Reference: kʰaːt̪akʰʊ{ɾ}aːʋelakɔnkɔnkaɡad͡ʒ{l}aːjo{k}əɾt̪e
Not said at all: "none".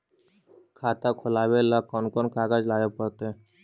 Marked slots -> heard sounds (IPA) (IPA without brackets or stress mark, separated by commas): l, l, p